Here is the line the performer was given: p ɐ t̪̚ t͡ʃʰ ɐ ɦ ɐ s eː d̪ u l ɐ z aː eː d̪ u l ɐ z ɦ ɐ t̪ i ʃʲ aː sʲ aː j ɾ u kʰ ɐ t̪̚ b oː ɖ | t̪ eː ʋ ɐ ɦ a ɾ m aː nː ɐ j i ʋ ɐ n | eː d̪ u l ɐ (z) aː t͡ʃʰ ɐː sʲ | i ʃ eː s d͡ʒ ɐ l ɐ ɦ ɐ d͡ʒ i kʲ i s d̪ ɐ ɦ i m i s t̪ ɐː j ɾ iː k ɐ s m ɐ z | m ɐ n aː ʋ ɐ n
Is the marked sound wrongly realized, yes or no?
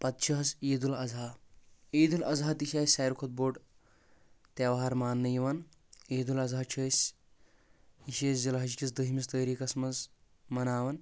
no